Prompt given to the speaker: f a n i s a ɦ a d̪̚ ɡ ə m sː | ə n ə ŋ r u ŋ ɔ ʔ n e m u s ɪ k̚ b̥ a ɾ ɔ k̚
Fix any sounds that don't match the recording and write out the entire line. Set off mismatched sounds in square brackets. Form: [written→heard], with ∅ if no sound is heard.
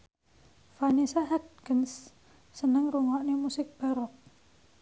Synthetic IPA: f a n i s a ɦ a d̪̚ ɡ ə [m→n] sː | ə n ə ŋ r u ŋ ɔ ʔ n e m u s ɪ k̚ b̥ a ɾ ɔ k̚